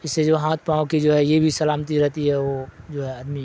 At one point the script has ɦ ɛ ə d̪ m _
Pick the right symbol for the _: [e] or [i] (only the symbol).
i